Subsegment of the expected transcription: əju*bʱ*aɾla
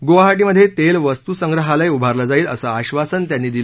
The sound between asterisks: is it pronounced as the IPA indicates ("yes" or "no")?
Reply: yes